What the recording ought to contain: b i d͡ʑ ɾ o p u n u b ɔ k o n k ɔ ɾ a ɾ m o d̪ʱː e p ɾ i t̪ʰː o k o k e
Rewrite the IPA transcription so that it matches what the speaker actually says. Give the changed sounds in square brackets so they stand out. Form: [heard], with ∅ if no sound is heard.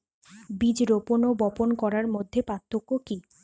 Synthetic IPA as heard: b i d͡ʑ ɾ o p [o] n [o] b ɔ [p] o n k ɔ ɾ a ɾ m o d̪ʱː e p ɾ [a] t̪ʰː o k o k [i]